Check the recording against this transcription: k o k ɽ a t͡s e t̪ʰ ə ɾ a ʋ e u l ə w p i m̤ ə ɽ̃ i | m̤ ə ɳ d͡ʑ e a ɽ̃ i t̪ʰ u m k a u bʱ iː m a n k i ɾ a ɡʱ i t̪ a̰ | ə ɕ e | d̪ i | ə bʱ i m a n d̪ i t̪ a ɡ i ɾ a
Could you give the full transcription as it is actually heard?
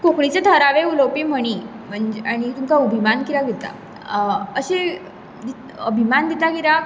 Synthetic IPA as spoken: k o k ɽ i t͡s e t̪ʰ ə ɾ a ʋ e u l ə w p i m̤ ə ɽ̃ i | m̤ ə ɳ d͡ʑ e a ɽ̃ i t̪ u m k a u bʱ i m a n k i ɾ a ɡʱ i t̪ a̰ | ə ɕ e | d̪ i | ə bʱ i m a n d̪ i t̪ a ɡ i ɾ a